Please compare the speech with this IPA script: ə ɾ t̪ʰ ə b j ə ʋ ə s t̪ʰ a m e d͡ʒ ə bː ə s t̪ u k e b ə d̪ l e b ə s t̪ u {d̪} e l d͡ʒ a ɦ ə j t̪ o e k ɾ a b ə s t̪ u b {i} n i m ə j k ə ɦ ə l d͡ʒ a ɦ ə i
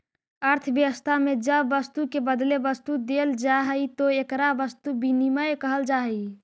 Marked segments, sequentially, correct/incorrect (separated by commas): correct, correct